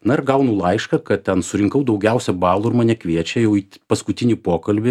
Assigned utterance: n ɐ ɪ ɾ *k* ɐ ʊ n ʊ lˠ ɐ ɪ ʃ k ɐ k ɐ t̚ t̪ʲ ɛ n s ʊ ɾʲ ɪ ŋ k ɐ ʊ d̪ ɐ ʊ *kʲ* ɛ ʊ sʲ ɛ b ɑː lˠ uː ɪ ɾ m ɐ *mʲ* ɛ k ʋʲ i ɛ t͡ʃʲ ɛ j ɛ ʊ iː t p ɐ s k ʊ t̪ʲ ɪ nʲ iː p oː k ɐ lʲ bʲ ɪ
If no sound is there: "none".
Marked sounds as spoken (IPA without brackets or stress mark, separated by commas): ɡ, ɡʲ, nʲ